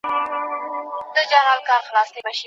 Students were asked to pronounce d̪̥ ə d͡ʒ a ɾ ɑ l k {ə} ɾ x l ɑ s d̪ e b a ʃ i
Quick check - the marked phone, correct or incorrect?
incorrect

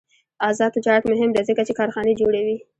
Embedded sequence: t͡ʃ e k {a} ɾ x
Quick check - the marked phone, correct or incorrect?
incorrect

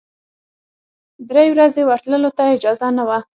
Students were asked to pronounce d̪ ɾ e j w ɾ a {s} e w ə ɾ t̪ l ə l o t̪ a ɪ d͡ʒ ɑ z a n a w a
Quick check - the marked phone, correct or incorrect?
incorrect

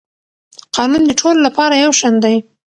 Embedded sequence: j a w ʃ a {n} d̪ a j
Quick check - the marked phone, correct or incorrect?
correct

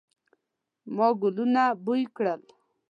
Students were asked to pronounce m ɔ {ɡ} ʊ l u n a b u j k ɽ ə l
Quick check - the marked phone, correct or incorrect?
correct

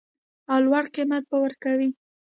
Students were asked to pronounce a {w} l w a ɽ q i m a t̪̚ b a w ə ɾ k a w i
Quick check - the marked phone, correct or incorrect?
correct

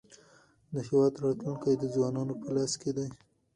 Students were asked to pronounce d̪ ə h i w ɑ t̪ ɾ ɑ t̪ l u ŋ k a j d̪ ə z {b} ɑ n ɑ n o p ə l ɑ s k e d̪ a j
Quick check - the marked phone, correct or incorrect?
incorrect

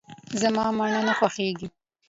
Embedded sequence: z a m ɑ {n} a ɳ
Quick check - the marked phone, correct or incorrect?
incorrect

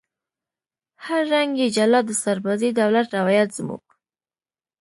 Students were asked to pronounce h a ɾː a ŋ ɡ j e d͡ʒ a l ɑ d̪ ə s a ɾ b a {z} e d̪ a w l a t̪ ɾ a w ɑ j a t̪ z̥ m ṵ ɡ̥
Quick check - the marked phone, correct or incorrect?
correct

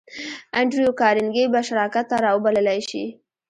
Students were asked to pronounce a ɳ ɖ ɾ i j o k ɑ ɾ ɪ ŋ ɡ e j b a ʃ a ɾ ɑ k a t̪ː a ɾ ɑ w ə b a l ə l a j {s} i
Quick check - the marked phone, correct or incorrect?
incorrect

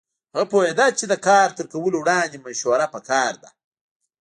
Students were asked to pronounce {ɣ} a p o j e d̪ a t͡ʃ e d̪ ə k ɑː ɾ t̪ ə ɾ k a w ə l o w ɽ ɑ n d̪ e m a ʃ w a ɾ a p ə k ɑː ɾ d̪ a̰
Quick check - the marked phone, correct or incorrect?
correct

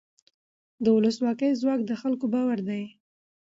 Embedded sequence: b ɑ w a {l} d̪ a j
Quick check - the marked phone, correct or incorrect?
incorrect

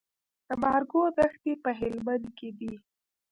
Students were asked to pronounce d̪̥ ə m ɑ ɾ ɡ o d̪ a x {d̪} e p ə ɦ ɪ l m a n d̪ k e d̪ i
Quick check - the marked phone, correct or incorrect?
incorrect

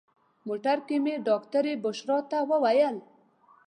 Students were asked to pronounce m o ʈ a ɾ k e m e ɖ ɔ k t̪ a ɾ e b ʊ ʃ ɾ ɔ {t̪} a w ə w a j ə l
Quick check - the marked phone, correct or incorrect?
correct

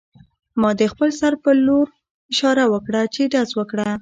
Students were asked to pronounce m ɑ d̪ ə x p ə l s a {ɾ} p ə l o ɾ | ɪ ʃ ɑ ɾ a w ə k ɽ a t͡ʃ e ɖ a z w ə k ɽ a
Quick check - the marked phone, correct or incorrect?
correct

